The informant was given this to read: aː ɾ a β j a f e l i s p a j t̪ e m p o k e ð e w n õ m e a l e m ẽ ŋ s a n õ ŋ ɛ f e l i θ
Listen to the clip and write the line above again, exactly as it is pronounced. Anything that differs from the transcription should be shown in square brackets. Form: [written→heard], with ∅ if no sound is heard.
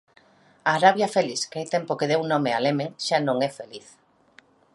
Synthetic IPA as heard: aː ɾ a β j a f e l i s [p→k] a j t̪ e m p o k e ð e w n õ m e a l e m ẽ ŋ [s→ʃ] a n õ ŋ ɛ f e l i θ